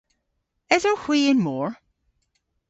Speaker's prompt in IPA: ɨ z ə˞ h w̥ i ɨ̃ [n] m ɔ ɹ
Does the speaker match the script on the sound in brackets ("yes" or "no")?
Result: yes